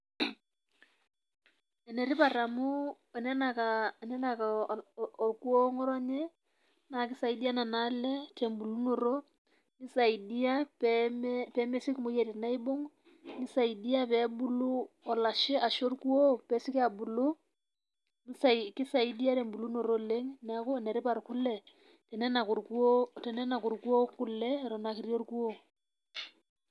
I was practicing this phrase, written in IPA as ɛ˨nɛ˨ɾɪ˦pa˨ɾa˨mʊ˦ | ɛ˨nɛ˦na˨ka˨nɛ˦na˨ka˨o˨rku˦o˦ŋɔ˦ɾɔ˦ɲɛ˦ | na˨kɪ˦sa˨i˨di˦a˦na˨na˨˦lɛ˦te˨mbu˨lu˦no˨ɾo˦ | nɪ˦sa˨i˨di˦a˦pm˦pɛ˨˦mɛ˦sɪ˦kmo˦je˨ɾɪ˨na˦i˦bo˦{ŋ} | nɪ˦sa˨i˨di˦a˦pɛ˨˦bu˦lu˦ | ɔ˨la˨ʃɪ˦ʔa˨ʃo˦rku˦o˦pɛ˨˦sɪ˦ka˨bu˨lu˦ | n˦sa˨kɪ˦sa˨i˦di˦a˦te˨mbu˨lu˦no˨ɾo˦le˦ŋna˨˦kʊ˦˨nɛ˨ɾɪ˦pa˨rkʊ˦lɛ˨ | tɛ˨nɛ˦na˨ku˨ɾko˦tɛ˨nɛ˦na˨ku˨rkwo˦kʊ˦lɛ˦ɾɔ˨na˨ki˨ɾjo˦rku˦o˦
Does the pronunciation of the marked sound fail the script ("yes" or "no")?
no